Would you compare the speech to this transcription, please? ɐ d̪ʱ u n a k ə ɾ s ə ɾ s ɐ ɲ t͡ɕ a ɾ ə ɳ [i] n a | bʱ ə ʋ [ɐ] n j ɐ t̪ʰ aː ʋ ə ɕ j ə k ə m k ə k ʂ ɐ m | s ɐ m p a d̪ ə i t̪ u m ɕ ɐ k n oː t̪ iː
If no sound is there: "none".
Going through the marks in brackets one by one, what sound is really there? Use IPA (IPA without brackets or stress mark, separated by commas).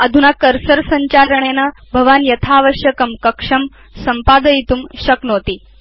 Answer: e, a